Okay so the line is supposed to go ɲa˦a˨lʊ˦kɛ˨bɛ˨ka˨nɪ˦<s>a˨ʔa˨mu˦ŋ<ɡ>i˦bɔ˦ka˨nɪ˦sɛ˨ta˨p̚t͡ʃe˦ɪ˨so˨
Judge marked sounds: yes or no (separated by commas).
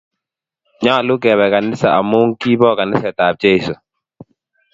yes, no